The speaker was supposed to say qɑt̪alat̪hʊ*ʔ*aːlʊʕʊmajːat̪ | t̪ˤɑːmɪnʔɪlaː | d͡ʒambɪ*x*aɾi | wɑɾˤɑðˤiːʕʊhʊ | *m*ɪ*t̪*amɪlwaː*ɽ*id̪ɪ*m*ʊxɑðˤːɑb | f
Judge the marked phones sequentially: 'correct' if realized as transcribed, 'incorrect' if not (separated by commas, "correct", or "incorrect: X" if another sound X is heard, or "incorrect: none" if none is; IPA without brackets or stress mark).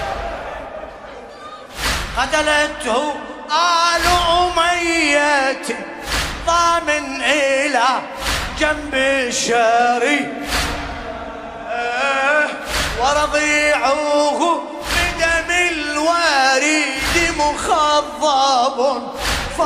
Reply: correct, incorrect: ʃ, incorrect: b, incorrect: d̪, incorrect: ɾ, correct